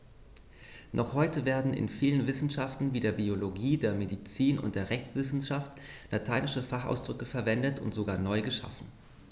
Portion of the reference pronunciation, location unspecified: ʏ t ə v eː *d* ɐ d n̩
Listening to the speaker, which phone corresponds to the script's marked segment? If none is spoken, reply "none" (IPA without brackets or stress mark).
none